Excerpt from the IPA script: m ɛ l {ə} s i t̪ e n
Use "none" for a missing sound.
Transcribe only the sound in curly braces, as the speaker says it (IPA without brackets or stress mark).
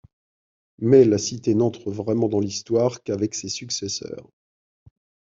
a